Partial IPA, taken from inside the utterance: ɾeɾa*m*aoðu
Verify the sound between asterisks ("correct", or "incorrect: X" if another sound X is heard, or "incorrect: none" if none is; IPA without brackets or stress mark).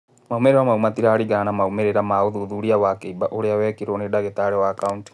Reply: correct